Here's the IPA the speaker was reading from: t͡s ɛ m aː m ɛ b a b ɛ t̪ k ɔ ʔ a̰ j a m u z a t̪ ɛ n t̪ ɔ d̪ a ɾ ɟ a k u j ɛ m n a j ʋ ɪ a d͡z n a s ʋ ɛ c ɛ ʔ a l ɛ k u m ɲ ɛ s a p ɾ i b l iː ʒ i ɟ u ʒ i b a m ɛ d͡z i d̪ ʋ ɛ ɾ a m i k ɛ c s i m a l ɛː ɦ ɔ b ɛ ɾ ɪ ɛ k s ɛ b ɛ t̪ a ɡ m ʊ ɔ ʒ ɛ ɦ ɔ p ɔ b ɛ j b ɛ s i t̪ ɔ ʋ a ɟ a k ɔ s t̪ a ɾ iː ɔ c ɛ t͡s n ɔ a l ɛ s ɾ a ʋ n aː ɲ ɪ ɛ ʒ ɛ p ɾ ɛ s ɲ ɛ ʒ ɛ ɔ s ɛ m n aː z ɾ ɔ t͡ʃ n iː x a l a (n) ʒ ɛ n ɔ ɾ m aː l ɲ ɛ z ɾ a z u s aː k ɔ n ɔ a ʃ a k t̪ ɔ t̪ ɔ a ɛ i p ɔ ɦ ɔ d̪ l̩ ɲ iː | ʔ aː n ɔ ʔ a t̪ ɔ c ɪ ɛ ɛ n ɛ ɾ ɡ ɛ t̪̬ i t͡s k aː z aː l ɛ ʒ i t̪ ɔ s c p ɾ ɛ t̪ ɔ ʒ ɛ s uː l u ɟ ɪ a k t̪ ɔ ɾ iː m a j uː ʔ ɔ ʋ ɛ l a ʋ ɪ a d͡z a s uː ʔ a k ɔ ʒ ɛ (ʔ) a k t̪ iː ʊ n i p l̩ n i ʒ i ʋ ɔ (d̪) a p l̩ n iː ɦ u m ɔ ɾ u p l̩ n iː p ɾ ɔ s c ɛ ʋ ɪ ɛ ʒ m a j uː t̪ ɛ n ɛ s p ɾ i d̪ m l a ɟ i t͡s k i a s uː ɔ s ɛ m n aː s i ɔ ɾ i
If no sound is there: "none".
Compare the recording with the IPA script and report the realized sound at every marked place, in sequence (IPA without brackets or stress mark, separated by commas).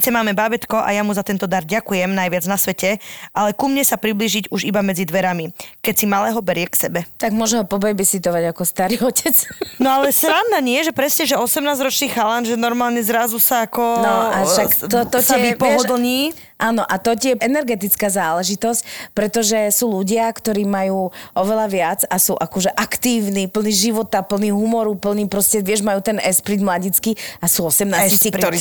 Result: n, ʔ, t̪